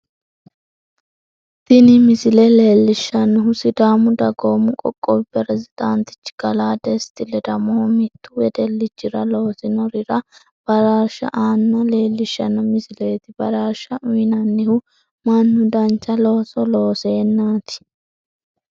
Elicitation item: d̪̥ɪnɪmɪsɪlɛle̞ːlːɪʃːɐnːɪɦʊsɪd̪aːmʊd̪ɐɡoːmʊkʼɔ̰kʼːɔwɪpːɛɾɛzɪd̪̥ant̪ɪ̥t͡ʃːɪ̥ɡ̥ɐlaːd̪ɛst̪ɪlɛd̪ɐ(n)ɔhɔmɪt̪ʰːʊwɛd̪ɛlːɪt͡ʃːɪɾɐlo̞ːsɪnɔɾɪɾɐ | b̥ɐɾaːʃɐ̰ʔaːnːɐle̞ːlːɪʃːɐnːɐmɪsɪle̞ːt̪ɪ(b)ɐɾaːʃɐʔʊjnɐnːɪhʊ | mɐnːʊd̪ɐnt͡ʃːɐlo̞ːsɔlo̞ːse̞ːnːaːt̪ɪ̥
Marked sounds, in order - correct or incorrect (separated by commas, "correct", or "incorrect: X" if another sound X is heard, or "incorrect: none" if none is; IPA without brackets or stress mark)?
incorrect: m, correct